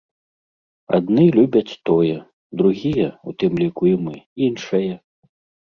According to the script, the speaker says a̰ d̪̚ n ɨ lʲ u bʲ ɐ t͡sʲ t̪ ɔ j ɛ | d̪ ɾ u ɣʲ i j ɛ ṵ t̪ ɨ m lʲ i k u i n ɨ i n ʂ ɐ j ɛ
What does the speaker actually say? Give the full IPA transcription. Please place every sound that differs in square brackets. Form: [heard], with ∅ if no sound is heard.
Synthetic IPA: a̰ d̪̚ n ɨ lʲ u bʲ ɐ t͡sʲ t̪ ɔ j ɛ | d̪ ɾ u ɣʲ i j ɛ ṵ t̪ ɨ m lʲ i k u i [m] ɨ i n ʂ ɐ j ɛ